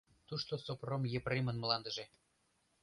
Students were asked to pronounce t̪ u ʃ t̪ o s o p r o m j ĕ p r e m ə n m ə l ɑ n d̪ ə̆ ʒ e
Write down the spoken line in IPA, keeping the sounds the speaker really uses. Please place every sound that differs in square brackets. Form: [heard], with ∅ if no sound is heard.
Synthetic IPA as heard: t̪ u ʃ t̪ o s o p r o m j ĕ p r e m ə n m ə l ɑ n d̪ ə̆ ʒ e